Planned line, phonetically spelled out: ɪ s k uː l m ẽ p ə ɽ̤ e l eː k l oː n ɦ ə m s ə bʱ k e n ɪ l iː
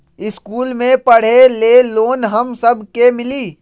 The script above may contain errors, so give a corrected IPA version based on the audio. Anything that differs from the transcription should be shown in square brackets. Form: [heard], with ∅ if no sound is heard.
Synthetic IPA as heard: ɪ s k uː l m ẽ p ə ɽ̤ e l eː [∅] l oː n ɦ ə m s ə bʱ k e [m] ɪ l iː